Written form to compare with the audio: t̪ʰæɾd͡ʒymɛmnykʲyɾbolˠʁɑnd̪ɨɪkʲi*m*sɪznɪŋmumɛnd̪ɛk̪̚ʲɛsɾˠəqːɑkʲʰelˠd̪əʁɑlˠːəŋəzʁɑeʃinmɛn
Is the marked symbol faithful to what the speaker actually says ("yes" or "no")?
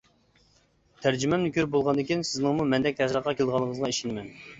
no